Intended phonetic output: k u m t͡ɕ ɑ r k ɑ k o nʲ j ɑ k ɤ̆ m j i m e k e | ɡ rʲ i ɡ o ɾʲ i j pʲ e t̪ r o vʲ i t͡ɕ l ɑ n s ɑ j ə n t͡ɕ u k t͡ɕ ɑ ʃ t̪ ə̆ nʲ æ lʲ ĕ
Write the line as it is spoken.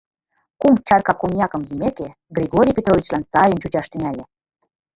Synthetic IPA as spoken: k u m t͡ɕ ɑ r k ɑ k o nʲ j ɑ k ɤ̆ m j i m e k e | ɡ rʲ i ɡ o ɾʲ i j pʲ e t̪ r o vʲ i t͡ɕ l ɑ n s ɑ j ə n t͡ɕ u t͡ɕ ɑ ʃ t̪ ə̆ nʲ æ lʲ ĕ